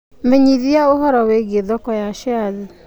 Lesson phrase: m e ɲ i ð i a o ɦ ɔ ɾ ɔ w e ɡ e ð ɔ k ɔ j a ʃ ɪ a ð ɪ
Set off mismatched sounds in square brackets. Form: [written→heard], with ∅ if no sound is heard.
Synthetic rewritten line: m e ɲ i ð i a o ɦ ɔ ɾ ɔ w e ɡ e ð ɔ k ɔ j a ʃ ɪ a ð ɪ

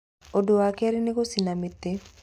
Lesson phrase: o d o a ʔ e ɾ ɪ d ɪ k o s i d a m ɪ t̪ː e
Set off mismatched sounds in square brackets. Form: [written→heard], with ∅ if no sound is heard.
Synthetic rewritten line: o d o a [ʔ→k] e ɾ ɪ [d→n] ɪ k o s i [d→n] a m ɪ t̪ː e

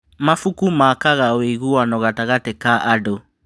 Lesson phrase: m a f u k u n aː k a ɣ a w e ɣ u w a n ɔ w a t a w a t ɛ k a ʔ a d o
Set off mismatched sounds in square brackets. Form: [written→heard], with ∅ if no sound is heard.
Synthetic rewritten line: m a f u k u [n→m] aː k a ɣ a w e ɣ u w a n ɔ [w→ɣ] a t a [w→ɣ] a t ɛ k a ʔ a d o

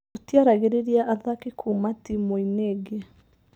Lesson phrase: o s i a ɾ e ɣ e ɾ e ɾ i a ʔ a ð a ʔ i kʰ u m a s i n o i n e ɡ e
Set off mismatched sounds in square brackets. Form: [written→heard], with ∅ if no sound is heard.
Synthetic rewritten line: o [s→t] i a ɾ [e→a] ɣ e ɾ e ɾ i a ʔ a ð a [ʔ→k] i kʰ u m a [s→t] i [n→m] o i n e ɡ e

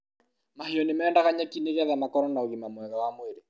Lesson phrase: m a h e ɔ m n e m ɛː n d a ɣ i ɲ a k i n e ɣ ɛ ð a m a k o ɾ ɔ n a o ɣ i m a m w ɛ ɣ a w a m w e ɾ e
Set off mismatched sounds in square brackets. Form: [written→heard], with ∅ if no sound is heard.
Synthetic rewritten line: m a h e ɔ [m→∅] n e m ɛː n d a ɣ [i→a] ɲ a k i n e ɣ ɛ ð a m a k [o→ɔ] ɾ ɔ n a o ɣ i m a m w ɛ ɣ a w a m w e ɾ e

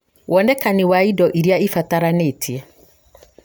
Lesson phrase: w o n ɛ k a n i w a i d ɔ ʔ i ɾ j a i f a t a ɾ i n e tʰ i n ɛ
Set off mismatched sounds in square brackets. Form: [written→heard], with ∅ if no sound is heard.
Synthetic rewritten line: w [o→ɔ] n ɛ k a n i w a i d ɔ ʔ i ɾ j a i f a t a ɾ [i→a] n e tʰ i [n→∅] ɛ

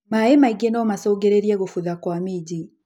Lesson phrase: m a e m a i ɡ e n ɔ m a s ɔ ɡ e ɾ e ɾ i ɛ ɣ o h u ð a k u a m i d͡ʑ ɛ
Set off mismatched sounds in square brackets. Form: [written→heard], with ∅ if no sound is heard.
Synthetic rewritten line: m a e m a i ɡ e n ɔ m a s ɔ ɡ e ɾ e ɾ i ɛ ɣ o [h→f] u ð a k [u→w] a m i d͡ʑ [ɛ→i]

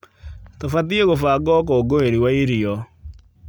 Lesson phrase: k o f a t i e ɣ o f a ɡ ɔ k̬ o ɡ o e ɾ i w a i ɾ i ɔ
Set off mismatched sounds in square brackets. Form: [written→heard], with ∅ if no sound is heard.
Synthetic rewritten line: [k→t] o f a t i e ɣ o f a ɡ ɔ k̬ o ɡ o e ɾ i w a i ɾ i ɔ

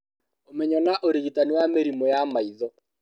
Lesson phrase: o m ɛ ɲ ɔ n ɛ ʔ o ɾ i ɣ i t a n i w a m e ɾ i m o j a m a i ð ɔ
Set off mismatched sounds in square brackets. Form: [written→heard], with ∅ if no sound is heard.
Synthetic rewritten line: o m ɛ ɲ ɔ n [ɛ→a] ʔ o ɾ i ɣ i t a n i w a m e ɾ i m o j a m a i ð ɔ

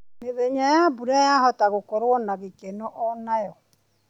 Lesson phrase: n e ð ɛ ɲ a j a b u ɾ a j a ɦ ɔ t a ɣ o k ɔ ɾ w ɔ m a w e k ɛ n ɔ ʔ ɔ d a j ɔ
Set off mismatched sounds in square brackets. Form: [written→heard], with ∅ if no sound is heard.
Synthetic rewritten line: n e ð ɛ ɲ a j a b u ɾ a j a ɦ ɔ t a ɣ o k ɔ ɾ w ɔ [m→n] a [w→ɣ] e k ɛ n ɔ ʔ ɔ [d→n] a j ɔ

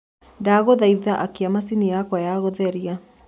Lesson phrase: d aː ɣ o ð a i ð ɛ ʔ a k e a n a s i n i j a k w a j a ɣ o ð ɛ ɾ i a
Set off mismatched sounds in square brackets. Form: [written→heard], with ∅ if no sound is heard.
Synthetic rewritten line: d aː ɣ o ð a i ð [ɛ→a] ʔ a k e a [n→m] a s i n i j a k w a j a ɣ o ð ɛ ɾ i a

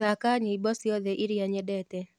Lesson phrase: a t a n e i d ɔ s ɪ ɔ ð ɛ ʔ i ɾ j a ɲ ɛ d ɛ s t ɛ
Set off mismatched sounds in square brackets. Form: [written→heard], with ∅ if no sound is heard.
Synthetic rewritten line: a [t→k] a [n→ɲ] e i [d→b] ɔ s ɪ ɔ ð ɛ ʔ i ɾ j a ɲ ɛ d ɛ [s→∅] t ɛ

